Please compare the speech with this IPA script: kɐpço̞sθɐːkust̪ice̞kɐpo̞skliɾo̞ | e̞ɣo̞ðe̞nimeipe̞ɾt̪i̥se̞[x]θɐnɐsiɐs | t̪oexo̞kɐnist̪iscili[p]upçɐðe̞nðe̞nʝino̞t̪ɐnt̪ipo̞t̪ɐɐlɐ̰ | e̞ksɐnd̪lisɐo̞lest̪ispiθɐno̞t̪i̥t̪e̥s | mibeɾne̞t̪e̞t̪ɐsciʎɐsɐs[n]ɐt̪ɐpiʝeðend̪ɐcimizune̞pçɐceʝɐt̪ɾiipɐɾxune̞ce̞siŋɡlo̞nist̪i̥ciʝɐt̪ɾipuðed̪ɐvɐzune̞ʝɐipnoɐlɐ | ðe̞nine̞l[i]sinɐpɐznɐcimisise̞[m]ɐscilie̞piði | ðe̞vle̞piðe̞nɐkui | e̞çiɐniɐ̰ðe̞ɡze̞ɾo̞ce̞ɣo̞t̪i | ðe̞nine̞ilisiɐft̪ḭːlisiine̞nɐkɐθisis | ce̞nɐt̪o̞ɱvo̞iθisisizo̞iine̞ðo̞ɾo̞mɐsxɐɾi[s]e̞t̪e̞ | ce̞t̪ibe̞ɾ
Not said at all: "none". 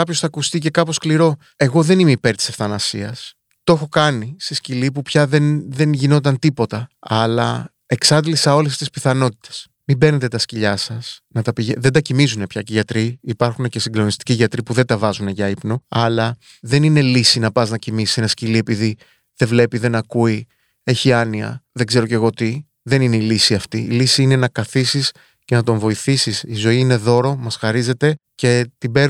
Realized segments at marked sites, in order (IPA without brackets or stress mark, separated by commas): f, p, n, i, n, z